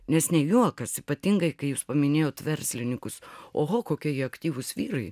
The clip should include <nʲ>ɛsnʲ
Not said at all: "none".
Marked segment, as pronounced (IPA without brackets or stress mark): nʲ